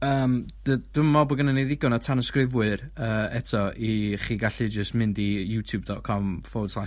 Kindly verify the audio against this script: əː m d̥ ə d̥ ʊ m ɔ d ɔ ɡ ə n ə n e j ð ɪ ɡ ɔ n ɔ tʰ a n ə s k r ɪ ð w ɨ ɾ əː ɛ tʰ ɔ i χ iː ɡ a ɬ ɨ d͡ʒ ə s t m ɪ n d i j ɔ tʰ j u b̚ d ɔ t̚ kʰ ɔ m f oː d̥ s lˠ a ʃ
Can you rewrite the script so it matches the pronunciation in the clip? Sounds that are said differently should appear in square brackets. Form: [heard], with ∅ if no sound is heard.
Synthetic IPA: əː m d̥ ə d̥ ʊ m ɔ [b] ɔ ɡ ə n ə n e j ð ɪ ɡ ɔ n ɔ tʰ a n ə s k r ɪ [v] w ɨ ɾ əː ɛ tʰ ɔ i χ iː ɡ a ɬ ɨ d͡ʒ ə s t m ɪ n d i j [u] tʰ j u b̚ d ɔ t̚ kʰ ɔ m f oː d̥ s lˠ a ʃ

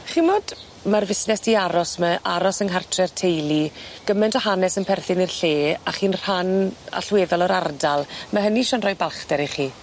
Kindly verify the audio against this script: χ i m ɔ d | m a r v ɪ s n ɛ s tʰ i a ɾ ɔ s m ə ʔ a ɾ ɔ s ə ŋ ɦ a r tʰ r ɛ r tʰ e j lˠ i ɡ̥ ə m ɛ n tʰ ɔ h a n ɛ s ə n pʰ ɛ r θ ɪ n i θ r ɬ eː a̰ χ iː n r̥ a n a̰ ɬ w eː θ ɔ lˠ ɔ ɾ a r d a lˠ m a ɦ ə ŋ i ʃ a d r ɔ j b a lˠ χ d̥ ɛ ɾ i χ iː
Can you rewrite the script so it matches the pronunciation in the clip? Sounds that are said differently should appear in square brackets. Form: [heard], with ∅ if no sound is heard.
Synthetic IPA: χ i m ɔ d | m a r v ɪ s n ɛ s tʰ i a ɾ ɔ s m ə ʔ a ɾ ɔ s ə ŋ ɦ a r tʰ r ɛ r tʰ e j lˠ i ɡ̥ ə m ɛ n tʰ ɔ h a n ɛ s ə n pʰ ɛ r θ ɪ n i [∅] r ɬ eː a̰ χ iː n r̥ a n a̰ ɬ w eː [ð] ɔ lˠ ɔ ɾ a r d a lˠ m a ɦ ə [n] i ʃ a [n] r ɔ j b a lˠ χ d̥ ɛ ɾ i χ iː

